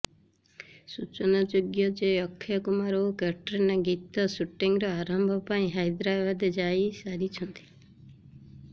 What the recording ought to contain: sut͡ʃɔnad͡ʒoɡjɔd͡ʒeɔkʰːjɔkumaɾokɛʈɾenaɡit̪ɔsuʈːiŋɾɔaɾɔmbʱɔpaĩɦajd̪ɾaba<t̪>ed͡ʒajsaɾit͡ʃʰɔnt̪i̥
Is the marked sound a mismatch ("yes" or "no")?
yes